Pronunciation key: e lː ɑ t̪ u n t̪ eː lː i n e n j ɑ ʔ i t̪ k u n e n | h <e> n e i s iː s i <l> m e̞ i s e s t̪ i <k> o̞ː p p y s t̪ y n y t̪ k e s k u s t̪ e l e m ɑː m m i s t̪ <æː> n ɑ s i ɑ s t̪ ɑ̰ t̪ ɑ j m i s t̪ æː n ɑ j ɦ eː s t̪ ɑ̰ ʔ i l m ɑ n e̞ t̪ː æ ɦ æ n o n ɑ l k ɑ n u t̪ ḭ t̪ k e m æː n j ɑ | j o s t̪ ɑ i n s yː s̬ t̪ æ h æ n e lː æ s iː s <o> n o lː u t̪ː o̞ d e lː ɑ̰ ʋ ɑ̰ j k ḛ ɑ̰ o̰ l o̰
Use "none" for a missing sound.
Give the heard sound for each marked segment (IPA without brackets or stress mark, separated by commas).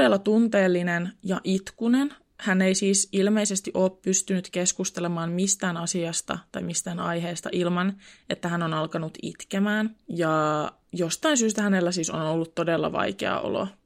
æ, l, ʔ, æː, o